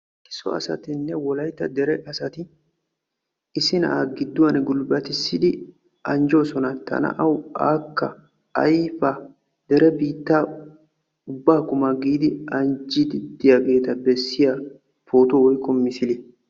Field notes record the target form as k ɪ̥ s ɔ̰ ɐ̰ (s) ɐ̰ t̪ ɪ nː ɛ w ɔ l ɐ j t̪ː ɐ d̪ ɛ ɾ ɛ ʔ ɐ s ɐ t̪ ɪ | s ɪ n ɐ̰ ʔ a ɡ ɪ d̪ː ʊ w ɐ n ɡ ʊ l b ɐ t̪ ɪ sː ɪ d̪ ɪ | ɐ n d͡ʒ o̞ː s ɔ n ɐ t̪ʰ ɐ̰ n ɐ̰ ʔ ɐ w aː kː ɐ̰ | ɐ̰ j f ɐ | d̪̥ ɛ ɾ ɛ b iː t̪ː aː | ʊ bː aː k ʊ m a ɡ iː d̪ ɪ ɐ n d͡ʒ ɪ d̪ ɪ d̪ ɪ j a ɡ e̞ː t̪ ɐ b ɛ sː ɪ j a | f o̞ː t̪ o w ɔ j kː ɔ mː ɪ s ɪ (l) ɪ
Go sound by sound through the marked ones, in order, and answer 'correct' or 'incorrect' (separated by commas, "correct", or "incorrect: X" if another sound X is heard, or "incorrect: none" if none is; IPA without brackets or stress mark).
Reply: correct, correct